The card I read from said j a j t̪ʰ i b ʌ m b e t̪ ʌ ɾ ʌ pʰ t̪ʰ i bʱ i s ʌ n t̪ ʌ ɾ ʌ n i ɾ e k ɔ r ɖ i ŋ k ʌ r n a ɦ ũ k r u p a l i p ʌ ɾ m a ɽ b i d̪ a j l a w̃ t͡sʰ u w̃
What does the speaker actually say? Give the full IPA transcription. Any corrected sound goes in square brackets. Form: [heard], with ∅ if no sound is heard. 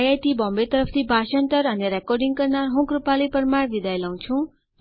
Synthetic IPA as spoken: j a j [t̪] i b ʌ m b e t̪ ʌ ɾ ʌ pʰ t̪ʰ i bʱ [a] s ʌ n t̪ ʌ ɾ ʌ n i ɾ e k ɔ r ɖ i ŋ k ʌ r n a ɦ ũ k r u p a l i p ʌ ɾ m a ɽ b i d̪ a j l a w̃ t͡sʰ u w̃

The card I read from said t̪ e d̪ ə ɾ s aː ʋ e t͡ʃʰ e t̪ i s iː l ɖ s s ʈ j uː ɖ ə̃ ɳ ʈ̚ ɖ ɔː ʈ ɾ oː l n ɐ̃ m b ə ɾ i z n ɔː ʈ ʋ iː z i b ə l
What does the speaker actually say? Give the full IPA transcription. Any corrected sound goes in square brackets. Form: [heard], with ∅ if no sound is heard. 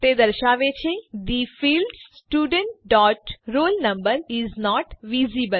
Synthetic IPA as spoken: t̪ e d̪ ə ɾ [ʃ] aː ʋ e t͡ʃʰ e [d̪] i [f] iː l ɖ s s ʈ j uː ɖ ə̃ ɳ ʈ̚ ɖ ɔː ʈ ɾ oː l n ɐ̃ m b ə ɾ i z n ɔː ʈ ʋ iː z i b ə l

